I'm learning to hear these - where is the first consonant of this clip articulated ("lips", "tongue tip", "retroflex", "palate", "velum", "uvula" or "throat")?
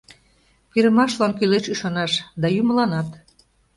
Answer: lips